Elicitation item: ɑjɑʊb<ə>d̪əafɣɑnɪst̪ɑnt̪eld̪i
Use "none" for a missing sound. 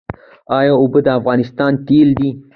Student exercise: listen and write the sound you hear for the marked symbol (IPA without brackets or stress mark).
ə